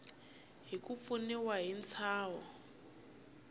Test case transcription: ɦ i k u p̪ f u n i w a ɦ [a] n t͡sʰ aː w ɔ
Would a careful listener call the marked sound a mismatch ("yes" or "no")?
yes